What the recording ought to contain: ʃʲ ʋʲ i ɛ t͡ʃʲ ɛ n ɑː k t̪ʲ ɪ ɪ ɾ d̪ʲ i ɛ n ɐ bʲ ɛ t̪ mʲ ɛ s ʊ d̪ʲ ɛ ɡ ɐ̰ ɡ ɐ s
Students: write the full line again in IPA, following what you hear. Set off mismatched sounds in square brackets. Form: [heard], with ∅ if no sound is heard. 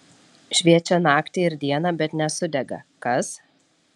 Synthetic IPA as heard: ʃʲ ʋʲ i ɛ t͡ʃʲ ɛ n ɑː k t̪ʲ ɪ ɪ ɾ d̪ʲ i ɛ n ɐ bʲ ɛ t̪ [nʲ] ɛ s ʊ d̪ʲ ɛ ɡ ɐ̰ [k] ɐ s